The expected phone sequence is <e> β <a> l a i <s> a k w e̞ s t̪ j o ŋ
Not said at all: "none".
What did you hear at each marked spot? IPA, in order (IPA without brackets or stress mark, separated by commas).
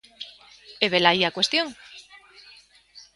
e, e, none